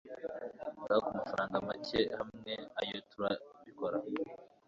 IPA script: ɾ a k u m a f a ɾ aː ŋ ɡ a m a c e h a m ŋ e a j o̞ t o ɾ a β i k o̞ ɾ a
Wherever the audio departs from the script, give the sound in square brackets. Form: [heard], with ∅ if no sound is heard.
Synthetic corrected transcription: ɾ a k u m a f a ɾ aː ŋ ɡ a m a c e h a m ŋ e a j o̞ t [u] ɾ a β i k o̞ ɾ a